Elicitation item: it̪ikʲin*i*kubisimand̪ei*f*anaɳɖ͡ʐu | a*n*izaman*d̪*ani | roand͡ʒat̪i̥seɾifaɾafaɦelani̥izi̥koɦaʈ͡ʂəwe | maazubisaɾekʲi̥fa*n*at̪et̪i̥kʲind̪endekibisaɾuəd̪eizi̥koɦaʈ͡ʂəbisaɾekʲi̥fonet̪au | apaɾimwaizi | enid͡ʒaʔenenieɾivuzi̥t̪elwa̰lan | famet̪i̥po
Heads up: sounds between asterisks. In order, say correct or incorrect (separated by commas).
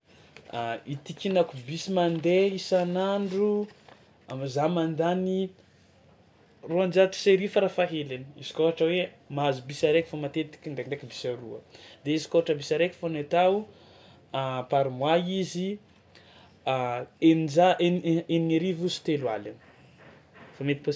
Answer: incorrect, incorrect, incorrect, correct, incorrect